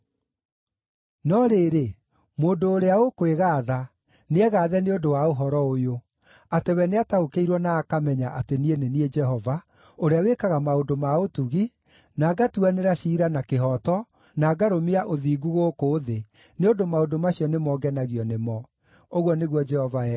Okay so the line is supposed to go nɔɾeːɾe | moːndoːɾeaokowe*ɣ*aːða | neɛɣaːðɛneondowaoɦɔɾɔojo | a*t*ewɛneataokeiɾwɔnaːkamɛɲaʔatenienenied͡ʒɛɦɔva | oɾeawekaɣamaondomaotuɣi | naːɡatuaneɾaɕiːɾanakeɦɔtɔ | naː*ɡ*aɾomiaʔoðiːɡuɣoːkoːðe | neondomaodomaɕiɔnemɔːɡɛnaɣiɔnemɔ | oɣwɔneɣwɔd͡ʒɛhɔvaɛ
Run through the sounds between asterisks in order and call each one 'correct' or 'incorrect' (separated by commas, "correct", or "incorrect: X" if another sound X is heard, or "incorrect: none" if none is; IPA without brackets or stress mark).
correct, correct, correct